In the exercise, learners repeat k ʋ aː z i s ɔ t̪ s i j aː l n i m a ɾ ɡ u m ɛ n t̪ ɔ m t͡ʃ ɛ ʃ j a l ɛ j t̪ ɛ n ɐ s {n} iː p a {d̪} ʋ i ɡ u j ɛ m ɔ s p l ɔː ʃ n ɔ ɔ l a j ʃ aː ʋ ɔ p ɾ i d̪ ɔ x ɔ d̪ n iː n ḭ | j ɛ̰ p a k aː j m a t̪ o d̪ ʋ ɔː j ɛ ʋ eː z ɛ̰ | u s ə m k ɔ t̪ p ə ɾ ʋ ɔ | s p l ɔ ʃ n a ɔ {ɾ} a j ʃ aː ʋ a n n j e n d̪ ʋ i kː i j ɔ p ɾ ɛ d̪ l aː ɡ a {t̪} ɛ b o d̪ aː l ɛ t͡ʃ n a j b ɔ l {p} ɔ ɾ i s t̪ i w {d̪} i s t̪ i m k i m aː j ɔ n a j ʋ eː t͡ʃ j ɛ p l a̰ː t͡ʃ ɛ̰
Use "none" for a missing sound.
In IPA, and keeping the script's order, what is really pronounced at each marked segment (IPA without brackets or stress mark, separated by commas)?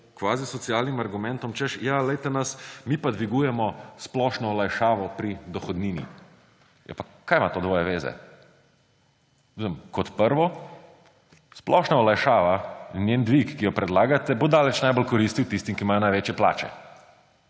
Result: m, d̪, l, t̪, k, t̪